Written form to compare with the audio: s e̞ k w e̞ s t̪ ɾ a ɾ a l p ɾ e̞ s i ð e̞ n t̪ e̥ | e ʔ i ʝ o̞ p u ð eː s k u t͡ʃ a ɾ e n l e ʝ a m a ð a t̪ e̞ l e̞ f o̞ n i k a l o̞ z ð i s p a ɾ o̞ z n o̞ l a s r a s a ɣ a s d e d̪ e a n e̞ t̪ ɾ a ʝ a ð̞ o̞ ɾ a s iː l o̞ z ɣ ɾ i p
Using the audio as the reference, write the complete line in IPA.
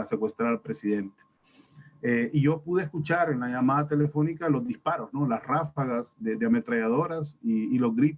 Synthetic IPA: s e̞ k w e̞ s t̪ ɾ a ɾ a l p ɾ e̞ s i ð e̞ n t̪ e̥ | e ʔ i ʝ o̞ p u ð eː s k u t͡ʃ a ɾ e n l a ʝ a m a ð a t̪ e̞ l e̞ f o̞ n i k a l o̞ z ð i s p a ɾ o̞ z n o̞ l a s r a f a ɣ a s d e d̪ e a m e̞ t̪ ɾ a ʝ a ð̞ o̞ ɾ a s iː l o̞ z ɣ ɾ i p